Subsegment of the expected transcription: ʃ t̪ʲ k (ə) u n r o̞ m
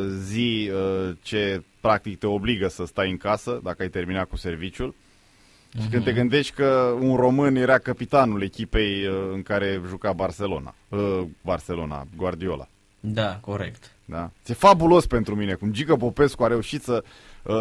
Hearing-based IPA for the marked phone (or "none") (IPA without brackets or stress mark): ə